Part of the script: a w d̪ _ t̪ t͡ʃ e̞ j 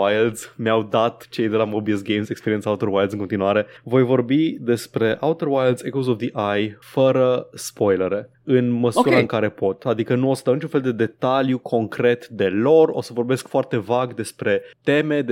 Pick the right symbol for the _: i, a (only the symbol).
a